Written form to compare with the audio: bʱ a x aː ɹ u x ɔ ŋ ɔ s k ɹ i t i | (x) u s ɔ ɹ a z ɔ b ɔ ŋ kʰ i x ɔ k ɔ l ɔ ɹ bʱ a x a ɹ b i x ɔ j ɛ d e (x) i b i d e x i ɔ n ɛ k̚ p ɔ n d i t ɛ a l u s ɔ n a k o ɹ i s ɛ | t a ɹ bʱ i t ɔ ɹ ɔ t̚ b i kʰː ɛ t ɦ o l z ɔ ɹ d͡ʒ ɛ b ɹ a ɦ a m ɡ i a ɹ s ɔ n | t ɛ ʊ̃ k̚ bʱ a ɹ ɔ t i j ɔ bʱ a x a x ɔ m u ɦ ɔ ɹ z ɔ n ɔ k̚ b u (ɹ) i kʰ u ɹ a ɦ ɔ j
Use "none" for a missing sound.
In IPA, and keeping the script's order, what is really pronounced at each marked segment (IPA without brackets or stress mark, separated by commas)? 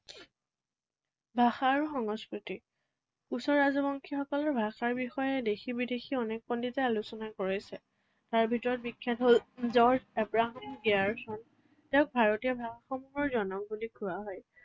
k, x, l